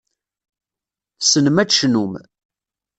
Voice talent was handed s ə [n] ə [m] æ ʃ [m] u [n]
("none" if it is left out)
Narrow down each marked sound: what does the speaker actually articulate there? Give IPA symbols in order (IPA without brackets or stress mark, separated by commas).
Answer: n, m, n, m